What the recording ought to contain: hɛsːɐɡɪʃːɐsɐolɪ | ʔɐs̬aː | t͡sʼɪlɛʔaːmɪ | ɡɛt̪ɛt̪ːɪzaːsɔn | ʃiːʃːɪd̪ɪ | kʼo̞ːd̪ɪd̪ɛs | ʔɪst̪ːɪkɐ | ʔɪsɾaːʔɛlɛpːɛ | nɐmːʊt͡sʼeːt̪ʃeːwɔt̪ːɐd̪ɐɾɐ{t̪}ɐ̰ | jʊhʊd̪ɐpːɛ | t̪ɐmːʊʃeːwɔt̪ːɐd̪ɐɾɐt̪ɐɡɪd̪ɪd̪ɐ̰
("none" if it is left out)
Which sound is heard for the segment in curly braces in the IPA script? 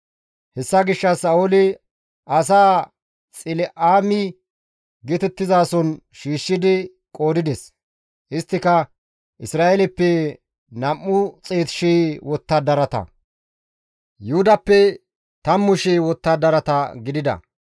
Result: t̪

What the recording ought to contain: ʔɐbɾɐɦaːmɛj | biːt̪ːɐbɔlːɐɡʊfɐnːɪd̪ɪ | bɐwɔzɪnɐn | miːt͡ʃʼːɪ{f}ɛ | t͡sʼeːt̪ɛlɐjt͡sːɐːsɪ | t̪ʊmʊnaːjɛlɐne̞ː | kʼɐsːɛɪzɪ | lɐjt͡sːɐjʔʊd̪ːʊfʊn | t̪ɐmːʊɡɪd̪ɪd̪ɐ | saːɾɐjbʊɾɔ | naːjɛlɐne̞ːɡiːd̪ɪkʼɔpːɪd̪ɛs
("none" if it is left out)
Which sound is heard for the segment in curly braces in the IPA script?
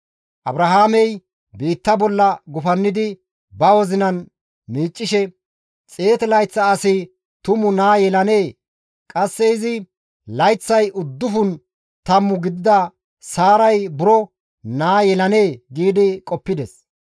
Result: ʃ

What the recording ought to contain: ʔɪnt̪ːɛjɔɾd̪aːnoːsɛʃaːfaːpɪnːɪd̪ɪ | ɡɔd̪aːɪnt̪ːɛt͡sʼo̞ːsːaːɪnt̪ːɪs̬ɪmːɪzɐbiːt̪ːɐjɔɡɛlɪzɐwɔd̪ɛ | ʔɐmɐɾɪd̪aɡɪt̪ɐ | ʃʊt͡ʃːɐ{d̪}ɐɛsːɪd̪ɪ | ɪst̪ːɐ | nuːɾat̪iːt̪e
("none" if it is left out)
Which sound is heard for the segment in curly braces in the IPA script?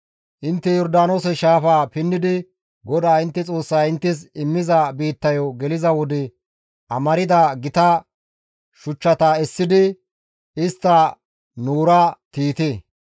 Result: t̪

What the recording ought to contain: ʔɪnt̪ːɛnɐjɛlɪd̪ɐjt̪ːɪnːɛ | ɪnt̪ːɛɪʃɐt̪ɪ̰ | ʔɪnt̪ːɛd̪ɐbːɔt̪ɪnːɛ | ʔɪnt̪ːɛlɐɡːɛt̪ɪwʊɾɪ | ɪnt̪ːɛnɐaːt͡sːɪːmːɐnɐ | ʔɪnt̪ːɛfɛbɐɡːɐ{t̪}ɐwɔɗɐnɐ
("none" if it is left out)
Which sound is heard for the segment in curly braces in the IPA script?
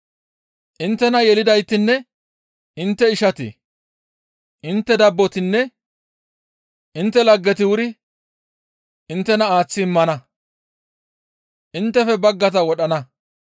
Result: t̪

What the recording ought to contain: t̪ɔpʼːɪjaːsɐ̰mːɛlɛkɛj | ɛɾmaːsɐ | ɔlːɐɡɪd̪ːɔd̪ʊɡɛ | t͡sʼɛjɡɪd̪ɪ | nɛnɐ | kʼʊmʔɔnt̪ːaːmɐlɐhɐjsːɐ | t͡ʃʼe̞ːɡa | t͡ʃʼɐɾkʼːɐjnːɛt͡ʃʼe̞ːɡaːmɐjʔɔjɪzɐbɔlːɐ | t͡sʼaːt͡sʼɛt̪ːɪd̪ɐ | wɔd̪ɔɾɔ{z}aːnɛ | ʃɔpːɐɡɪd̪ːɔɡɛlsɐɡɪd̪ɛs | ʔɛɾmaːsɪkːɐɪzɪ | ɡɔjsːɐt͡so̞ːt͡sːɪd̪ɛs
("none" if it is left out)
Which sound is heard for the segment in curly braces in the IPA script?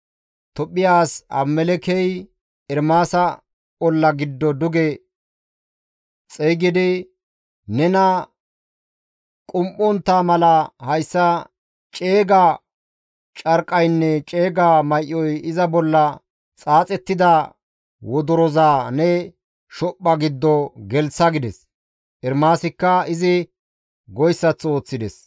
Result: z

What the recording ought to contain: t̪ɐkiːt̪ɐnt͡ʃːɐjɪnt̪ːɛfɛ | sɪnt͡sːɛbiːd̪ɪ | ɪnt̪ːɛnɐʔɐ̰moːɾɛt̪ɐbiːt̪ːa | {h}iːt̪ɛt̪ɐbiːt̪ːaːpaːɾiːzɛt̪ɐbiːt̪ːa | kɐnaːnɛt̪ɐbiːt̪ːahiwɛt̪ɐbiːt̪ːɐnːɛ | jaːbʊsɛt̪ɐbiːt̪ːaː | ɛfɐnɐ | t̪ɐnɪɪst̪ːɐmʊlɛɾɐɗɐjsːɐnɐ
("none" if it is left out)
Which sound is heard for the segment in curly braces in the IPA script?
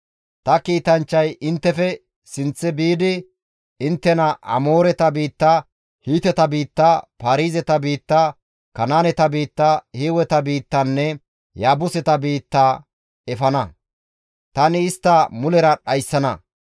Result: h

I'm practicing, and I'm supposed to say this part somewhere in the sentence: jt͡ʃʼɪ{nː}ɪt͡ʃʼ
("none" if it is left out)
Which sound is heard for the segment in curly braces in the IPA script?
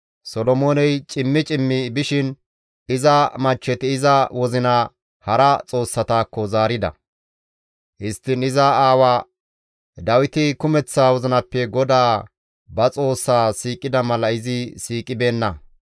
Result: mː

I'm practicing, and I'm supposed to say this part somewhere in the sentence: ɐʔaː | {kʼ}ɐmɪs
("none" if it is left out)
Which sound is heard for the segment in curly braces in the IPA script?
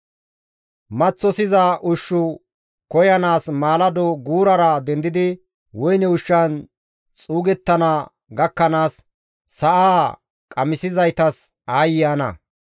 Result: kʼ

